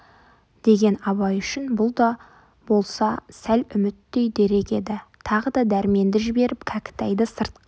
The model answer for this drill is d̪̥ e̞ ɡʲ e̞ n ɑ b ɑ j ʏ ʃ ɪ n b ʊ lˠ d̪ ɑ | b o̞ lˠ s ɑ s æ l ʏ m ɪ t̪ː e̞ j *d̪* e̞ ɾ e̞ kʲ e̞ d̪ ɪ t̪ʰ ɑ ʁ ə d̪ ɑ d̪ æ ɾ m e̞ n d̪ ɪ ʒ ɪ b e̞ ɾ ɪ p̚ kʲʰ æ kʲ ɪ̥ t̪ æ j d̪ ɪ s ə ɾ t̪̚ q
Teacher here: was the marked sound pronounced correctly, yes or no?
yes